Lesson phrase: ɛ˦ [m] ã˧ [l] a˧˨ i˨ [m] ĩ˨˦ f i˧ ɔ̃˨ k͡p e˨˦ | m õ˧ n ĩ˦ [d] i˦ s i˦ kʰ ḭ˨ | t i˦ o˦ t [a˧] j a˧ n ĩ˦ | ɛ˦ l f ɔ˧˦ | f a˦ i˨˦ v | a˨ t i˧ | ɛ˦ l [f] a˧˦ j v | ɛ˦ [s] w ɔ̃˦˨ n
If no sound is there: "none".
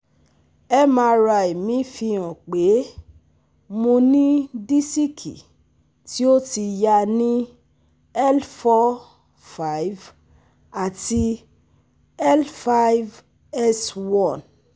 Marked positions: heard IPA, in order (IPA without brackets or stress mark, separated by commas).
m, ɾ, m, d, i˧, f, s